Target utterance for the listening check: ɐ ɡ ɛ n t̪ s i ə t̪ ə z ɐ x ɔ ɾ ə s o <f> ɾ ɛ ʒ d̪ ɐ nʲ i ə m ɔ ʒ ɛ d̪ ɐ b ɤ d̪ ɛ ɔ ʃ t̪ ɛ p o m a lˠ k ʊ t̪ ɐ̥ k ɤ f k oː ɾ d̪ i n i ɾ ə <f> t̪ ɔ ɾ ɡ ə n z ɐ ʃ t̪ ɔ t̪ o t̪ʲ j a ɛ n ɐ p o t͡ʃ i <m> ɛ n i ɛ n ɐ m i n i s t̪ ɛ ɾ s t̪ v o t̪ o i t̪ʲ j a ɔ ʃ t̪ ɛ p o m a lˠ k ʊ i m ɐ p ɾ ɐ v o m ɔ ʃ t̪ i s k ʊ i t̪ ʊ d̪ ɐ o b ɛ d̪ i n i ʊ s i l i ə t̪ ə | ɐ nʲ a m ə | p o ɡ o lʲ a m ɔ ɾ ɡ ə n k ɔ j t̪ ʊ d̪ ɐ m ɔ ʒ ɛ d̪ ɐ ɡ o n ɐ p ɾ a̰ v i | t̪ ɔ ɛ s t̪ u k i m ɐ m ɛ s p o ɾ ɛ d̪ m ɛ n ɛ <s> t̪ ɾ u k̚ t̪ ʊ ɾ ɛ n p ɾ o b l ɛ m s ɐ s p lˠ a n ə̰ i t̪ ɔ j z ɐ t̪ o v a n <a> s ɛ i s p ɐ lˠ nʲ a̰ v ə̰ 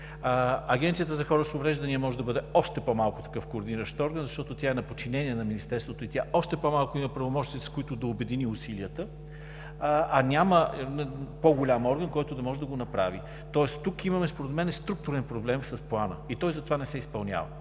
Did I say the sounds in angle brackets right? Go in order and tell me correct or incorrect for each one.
incorrect, incorrect, incorrect, correct, incorrect

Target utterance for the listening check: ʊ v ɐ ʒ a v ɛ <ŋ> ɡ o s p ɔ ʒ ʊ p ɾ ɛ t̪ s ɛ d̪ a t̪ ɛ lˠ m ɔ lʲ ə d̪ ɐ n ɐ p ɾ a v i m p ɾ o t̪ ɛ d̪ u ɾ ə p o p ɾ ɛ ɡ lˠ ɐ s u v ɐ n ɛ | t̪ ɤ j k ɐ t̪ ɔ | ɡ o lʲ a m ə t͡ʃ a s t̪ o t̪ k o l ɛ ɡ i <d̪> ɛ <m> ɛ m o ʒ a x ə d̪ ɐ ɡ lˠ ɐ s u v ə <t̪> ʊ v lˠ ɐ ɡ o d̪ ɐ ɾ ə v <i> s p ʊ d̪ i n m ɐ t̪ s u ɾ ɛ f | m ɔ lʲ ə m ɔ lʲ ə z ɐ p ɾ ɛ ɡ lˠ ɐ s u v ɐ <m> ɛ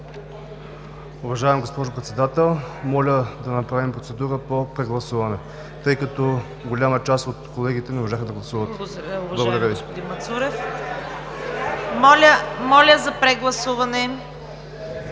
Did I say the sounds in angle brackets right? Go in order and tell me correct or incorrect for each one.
incorrect, incorrect, incorrect, correct, correct, incorrect

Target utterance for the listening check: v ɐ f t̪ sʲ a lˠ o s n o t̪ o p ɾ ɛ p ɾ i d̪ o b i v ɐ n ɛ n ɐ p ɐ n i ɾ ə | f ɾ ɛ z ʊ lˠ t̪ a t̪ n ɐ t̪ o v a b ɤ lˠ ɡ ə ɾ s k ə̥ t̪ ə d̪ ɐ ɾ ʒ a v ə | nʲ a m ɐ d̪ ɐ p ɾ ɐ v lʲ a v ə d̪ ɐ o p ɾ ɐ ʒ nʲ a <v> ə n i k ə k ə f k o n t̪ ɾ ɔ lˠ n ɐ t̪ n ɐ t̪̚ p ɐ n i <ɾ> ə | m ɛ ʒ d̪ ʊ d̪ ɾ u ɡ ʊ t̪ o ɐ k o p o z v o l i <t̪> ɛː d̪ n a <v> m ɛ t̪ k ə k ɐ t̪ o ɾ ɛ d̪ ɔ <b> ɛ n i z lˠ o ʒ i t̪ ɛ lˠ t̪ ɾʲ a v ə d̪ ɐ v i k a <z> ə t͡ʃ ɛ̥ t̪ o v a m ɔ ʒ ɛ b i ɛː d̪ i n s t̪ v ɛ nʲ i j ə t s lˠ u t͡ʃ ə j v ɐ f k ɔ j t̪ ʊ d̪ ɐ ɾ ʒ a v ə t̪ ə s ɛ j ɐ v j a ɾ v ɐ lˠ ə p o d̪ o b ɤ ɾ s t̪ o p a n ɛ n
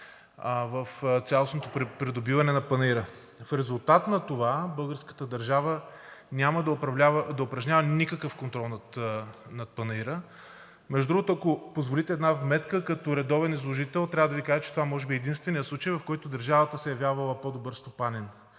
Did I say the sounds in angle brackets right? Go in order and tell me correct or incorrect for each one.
correct, correct, correct, correct, incorrect, incorrect

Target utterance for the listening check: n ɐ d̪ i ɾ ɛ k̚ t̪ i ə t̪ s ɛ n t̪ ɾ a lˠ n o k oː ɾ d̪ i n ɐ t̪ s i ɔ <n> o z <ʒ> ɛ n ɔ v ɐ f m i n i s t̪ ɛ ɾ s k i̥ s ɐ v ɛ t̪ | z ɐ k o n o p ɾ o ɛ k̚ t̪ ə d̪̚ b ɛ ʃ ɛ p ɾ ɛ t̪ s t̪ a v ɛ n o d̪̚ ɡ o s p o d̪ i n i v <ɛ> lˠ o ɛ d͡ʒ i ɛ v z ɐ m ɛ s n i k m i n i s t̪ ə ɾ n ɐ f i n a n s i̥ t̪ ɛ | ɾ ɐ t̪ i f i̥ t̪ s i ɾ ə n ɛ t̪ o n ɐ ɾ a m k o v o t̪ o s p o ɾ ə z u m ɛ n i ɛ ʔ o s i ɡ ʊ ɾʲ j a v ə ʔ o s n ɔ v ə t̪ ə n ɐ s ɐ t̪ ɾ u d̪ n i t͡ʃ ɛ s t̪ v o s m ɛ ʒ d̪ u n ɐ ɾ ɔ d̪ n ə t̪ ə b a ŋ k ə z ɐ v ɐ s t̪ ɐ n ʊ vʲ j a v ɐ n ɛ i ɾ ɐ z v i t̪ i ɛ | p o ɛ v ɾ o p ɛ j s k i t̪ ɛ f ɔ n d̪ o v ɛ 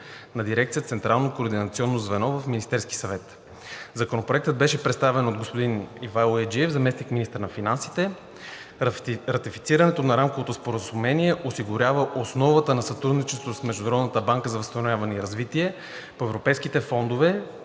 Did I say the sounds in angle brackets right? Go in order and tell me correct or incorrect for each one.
incorrect, incorrect, incorrect

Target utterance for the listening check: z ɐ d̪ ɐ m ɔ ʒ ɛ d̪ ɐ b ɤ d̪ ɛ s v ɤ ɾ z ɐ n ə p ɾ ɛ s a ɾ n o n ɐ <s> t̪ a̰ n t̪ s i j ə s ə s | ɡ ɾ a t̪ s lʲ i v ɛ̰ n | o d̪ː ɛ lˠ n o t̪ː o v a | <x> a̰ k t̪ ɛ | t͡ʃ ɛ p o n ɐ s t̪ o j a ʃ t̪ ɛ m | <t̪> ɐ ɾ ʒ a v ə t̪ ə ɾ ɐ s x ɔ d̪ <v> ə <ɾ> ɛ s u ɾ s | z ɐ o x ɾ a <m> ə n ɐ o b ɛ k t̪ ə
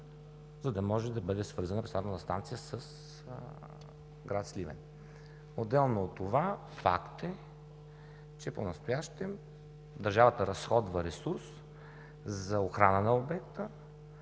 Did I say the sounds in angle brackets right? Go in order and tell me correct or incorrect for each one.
correct, incorrect, incorrect, correct, correct, incorrect

